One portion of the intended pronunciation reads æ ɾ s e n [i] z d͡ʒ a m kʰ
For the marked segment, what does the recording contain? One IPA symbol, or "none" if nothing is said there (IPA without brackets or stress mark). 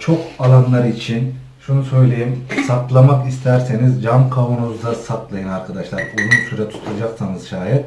i